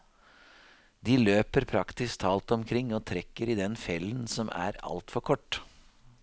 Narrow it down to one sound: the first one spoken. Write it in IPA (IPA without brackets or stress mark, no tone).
d̪